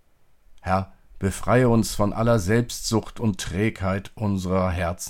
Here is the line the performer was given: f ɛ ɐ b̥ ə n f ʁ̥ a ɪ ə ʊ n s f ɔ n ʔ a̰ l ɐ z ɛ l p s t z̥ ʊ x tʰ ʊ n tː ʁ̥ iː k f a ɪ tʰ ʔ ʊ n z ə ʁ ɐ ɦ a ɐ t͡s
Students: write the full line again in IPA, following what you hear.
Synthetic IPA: h ɛ ɐ b̥ ə f ʁ̥ a ɪ ə ʊ n s f ɔ n ʔ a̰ l ɐ z ɛ l p s t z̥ ʊ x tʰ ʊ n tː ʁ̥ ɛː k h a ɪ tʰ ʔ ʊ n z ə ʁ ɐ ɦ ɛ ɐ t͡s